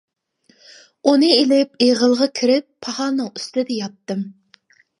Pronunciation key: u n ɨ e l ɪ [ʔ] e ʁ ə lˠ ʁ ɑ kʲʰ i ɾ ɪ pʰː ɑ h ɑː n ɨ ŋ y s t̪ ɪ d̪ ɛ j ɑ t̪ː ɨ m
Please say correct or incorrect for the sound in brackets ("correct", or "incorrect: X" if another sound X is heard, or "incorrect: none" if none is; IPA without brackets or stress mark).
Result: incorrect: p